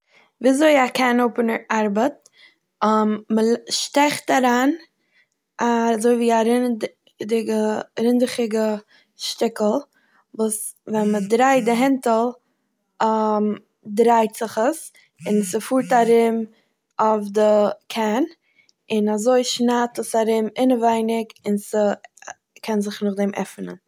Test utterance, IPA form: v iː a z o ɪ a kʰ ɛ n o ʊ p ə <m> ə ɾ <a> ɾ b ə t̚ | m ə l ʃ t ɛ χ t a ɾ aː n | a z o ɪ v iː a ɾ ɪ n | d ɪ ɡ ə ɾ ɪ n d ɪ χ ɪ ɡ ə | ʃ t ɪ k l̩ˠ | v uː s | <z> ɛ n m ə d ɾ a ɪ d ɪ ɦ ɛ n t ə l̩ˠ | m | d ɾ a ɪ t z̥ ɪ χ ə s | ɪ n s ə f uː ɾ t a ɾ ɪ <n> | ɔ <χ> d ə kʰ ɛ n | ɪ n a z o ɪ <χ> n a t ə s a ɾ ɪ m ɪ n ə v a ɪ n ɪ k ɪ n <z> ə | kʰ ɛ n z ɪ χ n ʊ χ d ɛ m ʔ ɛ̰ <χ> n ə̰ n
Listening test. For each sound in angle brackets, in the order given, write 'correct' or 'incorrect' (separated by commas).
incorrect, correct, incorrect, incorrect, incorrect, incorrect, incorrect, incorrect